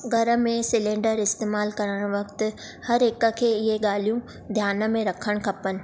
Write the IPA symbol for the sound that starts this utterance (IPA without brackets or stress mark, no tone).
ɡʱ